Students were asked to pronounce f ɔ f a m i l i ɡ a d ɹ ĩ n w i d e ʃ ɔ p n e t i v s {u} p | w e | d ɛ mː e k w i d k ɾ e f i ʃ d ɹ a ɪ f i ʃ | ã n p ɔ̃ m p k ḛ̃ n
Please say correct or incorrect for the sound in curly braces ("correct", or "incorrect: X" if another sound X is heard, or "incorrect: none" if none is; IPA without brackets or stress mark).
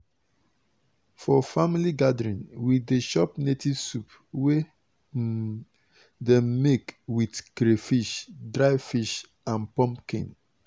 correct